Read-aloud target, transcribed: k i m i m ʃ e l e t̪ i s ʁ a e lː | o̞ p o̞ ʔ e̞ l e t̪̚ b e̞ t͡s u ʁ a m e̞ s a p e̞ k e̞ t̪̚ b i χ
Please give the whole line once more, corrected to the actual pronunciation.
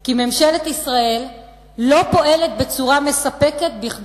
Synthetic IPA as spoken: k i m e m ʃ e l e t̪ i s ʁ a e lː | o̞ p o̞ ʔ e̞ l e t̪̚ b e̞ t͡s u ʁ a m e̞ s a p e̞ k e̞ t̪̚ b i χ